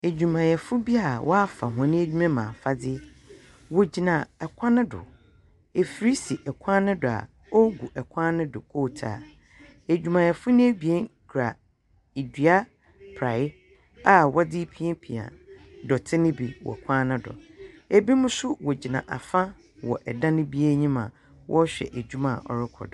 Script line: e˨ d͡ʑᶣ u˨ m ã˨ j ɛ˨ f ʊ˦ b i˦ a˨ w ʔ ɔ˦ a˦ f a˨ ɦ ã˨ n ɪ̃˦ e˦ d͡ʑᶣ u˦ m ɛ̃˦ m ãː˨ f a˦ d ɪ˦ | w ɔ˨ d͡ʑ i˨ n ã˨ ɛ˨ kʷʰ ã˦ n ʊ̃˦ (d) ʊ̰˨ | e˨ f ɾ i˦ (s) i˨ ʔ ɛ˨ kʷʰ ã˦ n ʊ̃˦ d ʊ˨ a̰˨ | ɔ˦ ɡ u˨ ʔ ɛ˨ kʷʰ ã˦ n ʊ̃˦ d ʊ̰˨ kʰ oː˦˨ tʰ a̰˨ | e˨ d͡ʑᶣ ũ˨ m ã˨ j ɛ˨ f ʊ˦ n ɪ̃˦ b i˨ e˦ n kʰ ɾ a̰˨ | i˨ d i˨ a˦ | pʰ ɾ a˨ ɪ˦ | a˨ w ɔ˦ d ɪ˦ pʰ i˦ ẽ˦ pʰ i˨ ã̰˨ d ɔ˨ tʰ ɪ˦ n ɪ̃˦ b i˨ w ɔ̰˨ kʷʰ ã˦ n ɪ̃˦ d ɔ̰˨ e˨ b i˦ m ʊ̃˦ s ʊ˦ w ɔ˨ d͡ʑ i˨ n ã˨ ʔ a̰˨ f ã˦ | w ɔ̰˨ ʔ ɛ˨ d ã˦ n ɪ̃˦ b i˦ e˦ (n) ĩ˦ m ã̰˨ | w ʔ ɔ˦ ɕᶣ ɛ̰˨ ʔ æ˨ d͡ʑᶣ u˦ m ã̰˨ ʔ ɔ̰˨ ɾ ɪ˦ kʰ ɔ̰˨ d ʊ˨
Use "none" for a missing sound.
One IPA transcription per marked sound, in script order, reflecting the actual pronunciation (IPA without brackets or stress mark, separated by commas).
d, s, ɲ